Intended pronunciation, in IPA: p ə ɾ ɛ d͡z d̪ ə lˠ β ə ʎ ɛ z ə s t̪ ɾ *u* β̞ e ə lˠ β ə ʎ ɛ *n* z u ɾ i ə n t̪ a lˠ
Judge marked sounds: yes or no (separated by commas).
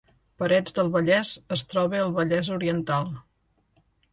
no, no